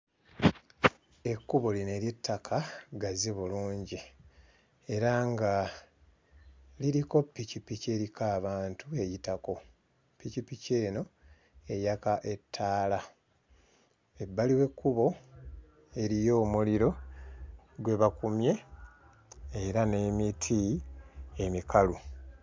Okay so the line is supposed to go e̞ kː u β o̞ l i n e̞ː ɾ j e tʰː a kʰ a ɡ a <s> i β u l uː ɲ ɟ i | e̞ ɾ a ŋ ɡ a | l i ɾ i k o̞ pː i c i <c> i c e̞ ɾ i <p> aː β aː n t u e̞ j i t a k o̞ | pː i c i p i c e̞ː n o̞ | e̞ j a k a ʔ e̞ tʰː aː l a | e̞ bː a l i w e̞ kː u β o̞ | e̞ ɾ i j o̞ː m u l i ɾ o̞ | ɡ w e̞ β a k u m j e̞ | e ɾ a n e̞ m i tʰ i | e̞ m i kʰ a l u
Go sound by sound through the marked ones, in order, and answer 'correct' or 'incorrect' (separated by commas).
incorrect, incorrect, incorrect